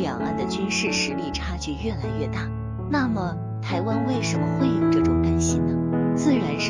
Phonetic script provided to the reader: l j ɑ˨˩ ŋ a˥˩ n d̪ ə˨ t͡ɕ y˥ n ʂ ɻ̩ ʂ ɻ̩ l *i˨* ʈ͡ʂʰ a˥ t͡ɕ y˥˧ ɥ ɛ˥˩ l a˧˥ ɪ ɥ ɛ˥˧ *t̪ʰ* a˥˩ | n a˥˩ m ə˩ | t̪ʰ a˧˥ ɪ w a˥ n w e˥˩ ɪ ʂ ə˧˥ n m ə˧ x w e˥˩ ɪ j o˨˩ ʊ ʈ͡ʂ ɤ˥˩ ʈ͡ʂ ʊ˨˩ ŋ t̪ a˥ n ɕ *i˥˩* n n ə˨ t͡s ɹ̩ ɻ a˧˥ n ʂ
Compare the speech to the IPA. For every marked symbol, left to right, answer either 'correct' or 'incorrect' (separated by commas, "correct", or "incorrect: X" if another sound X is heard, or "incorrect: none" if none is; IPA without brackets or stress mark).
incorrect: i˥˩, incorrect: t̪, incorrect: i˥